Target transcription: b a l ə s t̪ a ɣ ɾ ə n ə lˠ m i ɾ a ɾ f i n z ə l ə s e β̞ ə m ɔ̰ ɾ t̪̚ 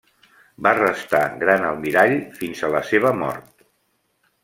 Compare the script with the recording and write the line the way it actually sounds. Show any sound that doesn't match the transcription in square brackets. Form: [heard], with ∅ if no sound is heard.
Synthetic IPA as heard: b a [r] ə s t̪ a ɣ ɾ [a] n ə lˠ m i ɾ a [ʎ] f i n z ə l ə s e β̞ ə m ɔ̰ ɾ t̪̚